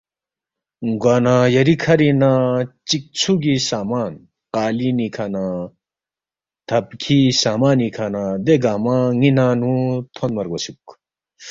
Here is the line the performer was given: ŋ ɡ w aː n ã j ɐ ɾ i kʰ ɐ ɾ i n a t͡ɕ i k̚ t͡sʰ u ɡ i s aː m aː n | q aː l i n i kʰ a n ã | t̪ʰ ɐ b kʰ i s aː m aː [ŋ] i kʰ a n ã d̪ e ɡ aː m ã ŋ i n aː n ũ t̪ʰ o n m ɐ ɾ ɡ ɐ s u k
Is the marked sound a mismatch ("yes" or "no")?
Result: yes